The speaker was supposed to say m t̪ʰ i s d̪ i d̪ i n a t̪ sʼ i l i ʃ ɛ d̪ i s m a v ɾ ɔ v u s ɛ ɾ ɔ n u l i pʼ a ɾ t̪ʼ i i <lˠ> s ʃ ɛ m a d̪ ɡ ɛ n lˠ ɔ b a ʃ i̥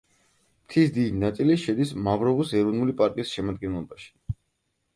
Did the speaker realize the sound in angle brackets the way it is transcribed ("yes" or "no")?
no